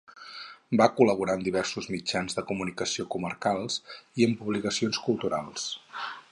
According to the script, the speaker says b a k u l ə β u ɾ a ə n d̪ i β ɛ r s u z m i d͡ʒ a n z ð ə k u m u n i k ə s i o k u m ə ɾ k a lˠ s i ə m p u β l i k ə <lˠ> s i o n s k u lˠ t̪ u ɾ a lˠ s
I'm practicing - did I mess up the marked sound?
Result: yes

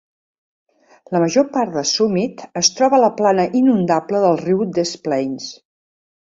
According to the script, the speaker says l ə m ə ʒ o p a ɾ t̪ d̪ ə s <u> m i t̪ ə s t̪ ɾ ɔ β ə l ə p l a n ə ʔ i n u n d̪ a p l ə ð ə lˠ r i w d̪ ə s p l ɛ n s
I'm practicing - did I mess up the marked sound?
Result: no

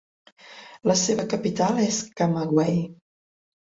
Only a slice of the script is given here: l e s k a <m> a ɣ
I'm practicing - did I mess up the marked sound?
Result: no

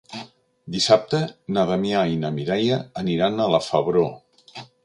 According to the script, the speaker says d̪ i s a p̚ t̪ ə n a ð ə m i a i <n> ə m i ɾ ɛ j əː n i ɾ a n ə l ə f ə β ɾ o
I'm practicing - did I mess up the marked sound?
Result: no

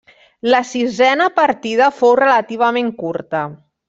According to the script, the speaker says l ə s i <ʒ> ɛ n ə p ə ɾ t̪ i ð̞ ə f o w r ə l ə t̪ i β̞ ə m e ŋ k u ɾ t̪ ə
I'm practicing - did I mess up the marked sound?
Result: yes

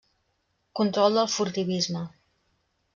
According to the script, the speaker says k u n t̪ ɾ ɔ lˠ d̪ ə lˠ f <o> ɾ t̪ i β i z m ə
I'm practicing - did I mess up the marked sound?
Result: yes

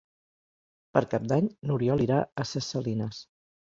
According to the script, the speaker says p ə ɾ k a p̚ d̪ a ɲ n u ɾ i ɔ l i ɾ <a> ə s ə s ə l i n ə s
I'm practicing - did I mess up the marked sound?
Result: no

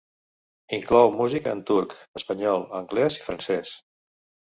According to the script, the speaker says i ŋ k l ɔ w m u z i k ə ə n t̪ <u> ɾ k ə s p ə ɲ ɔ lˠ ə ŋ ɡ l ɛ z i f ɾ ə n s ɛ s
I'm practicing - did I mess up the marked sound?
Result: no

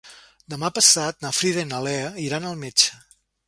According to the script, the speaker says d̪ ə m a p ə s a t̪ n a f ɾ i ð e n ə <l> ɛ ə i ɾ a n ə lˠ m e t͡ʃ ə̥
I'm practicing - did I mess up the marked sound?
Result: no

